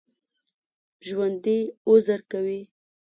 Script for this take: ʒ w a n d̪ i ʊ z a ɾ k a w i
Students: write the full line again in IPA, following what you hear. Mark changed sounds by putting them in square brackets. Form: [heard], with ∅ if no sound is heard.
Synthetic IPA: ʒ w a n d̪ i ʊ z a ɾ k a w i

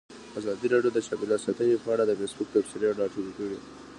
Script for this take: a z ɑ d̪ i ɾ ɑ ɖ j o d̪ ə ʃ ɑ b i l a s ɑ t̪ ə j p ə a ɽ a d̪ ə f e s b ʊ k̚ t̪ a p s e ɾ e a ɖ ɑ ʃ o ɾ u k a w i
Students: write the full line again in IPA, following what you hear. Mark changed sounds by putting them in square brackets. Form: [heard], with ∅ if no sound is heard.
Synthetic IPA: a z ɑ d̪ i ɾ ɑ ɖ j o d̪ ə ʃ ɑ b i l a s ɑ t̪ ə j p ə a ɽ a d̪ ə f e s b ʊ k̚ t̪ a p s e ɾ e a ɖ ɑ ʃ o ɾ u k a w i

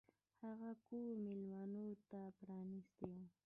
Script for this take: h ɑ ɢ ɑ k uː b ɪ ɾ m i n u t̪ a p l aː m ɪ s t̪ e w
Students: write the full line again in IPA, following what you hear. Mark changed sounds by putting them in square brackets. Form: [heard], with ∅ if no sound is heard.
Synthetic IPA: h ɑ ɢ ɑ k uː [m] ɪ [l] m [a] n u t̪ a p [ɾ] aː [n] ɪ s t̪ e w

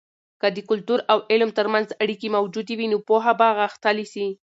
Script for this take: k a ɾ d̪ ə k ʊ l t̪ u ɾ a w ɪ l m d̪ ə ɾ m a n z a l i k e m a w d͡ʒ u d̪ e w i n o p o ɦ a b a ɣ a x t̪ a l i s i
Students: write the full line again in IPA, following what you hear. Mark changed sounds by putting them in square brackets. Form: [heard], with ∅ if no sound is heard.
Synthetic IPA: k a [∅] d̪ ə k ʊ l t̪ u ɾ a w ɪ l m [t̪] ə ɾ m a n z a [ɽ] i k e m a w d͡ʒ u d̪ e w i n o p o ɦ a b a ɣ a x t̪ a l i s i

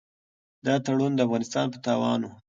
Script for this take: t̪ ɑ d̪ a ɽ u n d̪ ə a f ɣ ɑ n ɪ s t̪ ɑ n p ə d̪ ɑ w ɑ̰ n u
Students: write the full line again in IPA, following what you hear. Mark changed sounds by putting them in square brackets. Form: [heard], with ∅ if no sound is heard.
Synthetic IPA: [d̪] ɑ [t̪] a ɽ u n d̪ ə a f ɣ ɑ n ɪ s t̪ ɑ n p ə [t̪] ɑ w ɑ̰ n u

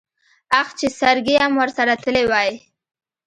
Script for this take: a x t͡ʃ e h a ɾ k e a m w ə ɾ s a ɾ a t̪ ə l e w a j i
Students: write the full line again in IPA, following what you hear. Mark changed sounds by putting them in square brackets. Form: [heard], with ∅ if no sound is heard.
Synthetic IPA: a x t͡ʃ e [s] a ɾ [ɡ] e a m w ə ɾ s a ɾ a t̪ ə l e w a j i

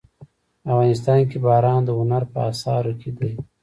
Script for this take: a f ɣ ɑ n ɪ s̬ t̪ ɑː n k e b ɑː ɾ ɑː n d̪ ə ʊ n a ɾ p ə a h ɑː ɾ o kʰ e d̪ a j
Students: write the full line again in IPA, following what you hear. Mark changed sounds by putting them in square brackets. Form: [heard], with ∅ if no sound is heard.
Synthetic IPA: a f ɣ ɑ n ɪ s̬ t̪ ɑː n k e b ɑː ɾ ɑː n d̪ ə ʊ n a ɾ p ə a [s] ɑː ɾ o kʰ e d̪ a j

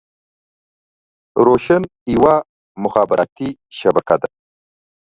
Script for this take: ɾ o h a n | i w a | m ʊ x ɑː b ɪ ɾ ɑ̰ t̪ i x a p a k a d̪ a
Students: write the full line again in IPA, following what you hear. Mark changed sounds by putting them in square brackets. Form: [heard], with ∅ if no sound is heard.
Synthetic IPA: ɾ o [ʃ] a n | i w a | m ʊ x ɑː b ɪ ɾ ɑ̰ t̪ i [ʃ] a [b] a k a d̪ a

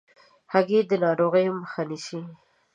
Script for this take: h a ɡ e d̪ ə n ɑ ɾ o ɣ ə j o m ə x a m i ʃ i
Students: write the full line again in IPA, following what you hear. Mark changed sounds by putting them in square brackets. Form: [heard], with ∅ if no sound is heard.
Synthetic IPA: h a ɡ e d̪ ə n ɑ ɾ o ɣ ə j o m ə x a [n] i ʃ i

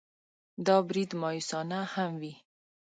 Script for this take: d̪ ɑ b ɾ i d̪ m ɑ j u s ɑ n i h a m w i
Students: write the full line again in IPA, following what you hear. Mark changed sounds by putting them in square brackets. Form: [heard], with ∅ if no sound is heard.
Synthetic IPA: d̪ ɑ b ɾ i d̪ m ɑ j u s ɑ n [a] h a m w i

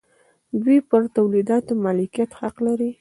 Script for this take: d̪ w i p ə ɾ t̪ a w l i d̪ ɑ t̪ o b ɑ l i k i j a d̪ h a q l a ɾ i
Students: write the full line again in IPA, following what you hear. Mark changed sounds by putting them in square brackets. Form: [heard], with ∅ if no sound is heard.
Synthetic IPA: d̪ w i p ə ɾ t̪ a w l i d̪ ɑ t̪ o [m] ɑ l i k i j a [t̪] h a q l a ɾ i

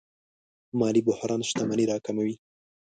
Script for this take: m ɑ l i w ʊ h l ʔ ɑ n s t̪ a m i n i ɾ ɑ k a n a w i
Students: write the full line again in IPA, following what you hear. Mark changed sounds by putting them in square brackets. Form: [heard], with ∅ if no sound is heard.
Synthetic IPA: m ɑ l i [b] ʊ h [ɾ] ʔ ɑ n [ʃ] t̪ a m [a] n i ɾ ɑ k a [m] a w i

